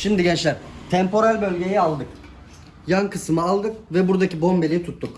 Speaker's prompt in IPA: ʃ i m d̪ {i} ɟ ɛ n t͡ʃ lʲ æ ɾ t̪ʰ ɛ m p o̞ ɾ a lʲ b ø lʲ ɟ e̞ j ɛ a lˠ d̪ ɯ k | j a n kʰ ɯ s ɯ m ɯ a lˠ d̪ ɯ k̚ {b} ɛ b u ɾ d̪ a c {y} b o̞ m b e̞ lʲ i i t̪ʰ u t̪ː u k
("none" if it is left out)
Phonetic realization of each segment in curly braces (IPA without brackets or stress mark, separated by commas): i, v, i